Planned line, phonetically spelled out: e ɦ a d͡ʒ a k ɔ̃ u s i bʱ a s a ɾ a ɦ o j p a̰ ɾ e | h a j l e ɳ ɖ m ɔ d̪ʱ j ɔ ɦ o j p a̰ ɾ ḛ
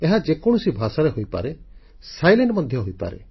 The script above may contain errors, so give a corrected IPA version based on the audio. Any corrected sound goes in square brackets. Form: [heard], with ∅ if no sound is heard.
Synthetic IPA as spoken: e ɦ a d͡ʒ [e] k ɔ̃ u s i bʱ a s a ɾ [e] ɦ o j p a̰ ɾ e | [s] a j l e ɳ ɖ m ɔ d̪ʱ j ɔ ɦ o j p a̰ ɾ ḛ